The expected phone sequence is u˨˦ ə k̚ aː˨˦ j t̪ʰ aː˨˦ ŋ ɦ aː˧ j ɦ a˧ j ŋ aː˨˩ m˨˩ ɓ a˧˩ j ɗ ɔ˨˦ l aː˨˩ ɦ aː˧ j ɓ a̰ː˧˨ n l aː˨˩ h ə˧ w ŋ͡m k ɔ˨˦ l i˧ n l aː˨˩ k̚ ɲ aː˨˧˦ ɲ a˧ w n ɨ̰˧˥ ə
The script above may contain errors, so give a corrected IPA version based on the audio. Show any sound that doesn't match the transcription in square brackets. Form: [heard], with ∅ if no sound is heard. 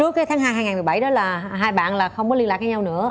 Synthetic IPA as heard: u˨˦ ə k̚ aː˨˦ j t̪ʰ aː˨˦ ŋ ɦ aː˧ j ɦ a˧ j ŋ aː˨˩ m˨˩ ɓ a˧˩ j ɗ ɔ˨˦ l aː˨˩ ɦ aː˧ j ɓ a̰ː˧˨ n l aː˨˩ [x] ə˧ w ŋ͡m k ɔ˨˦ l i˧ n l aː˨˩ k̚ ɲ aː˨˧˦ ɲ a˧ w n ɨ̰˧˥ ə